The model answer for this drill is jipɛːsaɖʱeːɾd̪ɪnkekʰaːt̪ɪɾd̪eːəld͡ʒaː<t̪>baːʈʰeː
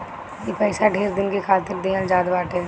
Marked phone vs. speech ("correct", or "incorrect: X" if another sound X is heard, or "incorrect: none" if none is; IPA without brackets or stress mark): incorrect: d̪